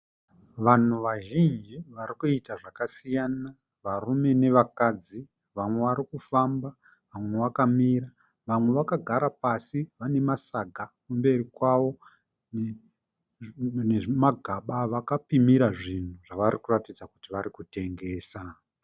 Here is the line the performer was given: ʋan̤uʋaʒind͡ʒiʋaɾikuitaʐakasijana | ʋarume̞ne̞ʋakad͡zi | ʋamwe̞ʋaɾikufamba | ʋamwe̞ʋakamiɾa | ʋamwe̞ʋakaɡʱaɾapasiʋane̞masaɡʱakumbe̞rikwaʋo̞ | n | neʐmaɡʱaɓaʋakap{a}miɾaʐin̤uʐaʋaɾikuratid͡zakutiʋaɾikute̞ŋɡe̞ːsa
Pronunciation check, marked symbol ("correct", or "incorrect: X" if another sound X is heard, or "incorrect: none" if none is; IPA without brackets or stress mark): incorrect: i